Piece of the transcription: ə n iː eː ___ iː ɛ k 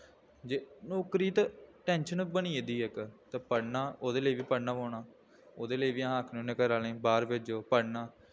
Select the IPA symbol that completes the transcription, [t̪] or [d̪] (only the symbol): d̪